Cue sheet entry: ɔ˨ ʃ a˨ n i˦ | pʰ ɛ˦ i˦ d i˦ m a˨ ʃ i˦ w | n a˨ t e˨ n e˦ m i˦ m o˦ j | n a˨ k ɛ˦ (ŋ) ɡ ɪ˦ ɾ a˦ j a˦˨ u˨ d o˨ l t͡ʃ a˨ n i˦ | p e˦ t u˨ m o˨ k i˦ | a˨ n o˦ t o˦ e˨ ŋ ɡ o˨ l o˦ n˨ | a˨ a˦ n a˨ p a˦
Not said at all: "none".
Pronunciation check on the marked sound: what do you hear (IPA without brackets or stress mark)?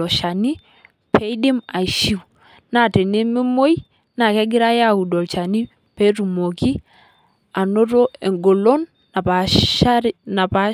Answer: none